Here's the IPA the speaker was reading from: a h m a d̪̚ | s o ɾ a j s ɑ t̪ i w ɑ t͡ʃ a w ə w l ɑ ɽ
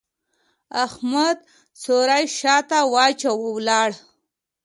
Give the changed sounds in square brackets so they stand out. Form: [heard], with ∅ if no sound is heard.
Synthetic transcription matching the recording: a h m a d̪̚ | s o ɾ a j [ʃ] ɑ t̪ [a] w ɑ t͡ʃ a w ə w l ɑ ɽ